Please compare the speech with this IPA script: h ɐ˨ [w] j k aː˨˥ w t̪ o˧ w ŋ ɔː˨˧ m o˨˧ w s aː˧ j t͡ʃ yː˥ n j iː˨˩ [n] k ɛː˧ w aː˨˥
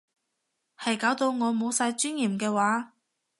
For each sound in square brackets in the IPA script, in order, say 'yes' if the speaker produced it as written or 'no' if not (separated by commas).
no, no